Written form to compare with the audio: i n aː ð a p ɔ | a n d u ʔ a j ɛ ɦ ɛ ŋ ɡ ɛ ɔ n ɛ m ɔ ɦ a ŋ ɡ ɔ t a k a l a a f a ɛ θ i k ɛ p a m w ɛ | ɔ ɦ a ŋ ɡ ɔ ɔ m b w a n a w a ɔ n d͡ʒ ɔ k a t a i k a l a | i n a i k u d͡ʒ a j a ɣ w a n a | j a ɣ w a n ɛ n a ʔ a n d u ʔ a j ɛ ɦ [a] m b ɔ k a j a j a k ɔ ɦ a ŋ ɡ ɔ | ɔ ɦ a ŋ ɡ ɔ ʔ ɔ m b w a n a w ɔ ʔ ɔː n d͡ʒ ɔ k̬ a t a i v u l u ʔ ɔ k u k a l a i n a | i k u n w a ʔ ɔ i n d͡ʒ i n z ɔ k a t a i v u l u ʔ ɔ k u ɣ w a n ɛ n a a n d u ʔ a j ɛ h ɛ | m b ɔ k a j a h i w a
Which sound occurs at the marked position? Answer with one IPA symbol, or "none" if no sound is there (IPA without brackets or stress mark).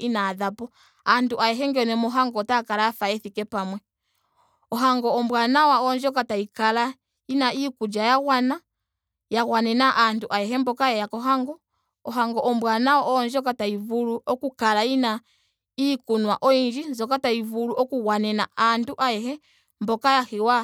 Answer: ɛ